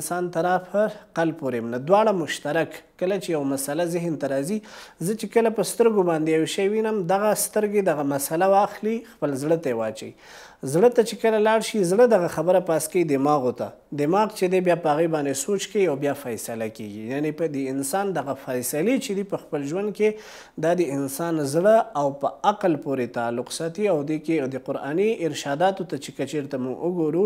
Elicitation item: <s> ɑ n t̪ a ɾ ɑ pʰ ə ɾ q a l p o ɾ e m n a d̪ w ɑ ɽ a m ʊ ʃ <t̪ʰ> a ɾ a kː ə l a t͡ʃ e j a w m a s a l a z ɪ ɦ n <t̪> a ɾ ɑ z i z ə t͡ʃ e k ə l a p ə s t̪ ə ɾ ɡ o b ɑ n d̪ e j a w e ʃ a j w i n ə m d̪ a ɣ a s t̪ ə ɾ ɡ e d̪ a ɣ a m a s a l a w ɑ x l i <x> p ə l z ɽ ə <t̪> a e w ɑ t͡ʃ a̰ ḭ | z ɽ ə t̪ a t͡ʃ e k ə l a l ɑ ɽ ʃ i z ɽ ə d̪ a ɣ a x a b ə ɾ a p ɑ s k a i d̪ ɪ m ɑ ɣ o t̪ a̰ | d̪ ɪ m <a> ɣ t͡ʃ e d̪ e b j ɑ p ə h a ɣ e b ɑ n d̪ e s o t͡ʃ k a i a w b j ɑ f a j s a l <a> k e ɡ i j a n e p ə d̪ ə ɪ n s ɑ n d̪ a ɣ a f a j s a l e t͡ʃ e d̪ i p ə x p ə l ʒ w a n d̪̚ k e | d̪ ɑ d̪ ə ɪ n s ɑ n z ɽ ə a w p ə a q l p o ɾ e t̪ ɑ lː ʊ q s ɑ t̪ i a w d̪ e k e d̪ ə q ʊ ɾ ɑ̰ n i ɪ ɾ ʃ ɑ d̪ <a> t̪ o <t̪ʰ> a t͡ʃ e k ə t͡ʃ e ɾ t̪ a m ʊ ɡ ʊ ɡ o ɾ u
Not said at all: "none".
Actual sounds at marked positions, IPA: s, t̪, t̪, x, t̪, ɑ, a, ɑ, t̪

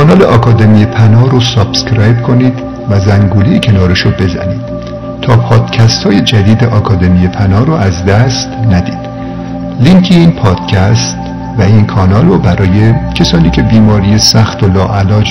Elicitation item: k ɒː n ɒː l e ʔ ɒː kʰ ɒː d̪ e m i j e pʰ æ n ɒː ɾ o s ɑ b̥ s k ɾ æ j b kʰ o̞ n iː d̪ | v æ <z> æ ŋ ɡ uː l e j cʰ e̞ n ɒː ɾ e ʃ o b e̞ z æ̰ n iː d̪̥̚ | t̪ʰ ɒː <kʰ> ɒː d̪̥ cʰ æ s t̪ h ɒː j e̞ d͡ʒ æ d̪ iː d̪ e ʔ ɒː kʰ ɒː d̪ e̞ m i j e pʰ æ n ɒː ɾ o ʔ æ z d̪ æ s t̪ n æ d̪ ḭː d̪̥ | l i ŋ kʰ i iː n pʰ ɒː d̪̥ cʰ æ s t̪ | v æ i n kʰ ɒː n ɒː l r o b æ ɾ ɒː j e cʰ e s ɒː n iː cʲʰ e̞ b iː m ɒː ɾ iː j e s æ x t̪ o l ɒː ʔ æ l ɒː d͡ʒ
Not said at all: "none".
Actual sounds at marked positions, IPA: z, pʰ

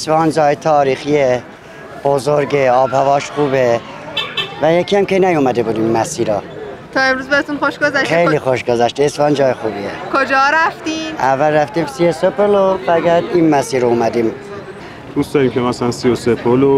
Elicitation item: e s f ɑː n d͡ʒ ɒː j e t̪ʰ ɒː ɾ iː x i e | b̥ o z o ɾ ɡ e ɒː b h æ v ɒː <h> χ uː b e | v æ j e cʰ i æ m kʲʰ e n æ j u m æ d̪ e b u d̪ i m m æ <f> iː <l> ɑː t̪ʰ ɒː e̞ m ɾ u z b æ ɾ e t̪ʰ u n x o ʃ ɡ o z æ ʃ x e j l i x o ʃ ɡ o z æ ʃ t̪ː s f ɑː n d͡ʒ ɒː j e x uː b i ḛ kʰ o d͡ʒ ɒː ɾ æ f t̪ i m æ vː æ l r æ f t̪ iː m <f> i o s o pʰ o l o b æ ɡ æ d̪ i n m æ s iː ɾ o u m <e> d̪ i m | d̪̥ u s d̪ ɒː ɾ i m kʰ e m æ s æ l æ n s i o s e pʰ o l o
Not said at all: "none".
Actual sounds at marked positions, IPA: ʃ, s, ɾ, s, æ

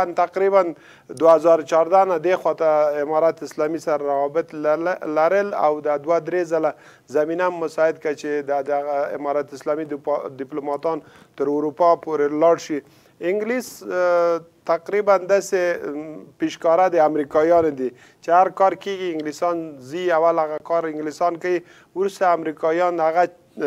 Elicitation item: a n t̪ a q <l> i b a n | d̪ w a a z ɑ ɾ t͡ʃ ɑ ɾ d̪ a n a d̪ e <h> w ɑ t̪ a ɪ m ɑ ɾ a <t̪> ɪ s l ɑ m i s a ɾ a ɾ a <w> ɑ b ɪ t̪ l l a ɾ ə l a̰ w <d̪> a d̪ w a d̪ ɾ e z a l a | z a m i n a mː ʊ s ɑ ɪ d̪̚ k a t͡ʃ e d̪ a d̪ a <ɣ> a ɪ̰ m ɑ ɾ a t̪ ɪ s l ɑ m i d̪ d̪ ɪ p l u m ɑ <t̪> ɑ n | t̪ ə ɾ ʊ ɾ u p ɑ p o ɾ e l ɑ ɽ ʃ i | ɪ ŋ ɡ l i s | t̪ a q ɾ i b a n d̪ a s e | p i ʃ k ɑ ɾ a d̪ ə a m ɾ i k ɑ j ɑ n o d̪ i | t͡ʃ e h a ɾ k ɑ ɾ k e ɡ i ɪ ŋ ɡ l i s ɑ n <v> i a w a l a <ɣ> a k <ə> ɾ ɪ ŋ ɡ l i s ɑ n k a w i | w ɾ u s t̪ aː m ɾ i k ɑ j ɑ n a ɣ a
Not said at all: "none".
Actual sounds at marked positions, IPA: ɾ, x, t̪, w, d̪, ɣ, t̪, z, ɣ, ɑ

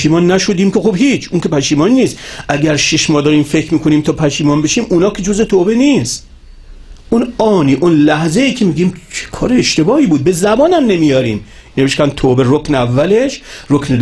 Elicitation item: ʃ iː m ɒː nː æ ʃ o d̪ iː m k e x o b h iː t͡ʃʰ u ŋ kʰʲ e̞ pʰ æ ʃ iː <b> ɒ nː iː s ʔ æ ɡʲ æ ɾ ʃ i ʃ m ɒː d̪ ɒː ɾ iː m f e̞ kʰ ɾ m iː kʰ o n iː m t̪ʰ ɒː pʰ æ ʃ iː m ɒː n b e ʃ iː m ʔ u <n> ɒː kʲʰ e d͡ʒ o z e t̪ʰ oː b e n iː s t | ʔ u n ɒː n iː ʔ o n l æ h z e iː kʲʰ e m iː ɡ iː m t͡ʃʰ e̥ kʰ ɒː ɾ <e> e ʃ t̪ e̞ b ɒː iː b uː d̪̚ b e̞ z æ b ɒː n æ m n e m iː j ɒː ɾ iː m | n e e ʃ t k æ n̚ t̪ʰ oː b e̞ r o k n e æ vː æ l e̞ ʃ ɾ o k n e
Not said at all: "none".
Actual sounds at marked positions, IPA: m, n, e

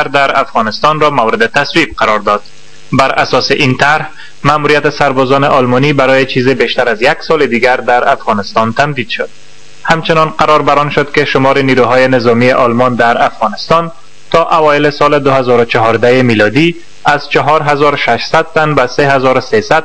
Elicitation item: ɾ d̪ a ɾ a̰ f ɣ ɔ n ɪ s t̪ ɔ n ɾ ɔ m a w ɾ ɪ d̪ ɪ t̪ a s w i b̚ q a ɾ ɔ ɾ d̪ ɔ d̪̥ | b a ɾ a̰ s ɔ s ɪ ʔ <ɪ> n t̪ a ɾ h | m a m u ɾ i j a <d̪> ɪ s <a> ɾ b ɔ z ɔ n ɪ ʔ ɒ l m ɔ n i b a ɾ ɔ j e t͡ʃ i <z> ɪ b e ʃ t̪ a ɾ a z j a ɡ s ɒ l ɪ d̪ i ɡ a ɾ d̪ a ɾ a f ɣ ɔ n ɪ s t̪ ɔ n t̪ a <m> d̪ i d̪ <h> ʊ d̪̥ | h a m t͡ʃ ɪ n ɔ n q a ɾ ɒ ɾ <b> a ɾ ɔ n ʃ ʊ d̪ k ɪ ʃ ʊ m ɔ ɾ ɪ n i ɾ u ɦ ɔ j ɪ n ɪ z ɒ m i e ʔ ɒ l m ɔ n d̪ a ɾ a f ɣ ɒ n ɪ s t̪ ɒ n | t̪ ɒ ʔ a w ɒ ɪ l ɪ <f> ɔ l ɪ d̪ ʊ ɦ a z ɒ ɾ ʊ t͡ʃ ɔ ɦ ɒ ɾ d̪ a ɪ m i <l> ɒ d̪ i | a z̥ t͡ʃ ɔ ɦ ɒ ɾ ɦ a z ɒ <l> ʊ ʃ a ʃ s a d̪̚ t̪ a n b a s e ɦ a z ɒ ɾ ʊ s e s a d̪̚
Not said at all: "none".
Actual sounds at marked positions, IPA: i, t̪, a, z, m, ʃ, b, s, l, ɾ

